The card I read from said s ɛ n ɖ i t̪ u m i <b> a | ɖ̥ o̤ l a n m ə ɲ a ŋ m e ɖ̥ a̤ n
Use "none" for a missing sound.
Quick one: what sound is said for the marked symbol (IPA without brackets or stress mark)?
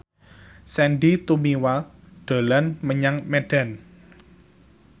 w